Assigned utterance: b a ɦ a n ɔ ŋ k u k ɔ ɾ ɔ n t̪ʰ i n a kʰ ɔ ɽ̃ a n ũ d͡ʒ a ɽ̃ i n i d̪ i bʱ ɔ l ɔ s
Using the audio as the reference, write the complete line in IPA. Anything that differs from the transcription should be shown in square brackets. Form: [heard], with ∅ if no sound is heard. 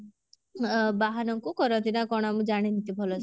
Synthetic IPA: b a ɦ a n ɔ ŋ k u k ɔ ɾ ɔ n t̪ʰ i n a [k] ɔ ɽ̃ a [m] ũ d͡ʒ a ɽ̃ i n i [t̪] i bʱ ɔ l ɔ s